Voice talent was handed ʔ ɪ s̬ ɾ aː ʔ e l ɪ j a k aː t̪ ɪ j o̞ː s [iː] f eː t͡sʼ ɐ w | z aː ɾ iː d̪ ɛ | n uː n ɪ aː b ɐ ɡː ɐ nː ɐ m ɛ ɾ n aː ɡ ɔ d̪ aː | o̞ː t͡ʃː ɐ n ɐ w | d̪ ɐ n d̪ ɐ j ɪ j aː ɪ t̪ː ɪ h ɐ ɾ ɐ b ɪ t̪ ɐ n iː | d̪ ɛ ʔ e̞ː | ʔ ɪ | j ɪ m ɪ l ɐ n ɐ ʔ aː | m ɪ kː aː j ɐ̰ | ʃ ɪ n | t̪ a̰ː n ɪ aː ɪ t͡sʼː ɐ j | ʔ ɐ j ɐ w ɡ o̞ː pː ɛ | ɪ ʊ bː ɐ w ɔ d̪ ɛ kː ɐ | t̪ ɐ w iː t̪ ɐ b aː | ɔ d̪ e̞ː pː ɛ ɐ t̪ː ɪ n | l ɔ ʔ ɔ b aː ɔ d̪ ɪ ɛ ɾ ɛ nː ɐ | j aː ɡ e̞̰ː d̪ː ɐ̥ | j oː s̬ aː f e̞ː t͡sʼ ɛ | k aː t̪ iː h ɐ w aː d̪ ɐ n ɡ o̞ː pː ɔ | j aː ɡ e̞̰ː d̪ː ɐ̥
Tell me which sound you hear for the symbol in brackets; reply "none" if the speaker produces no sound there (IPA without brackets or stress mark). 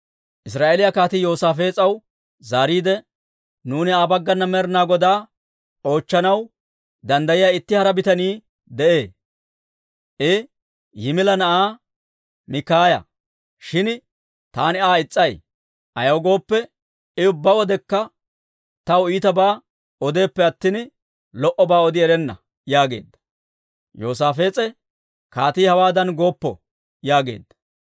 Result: aː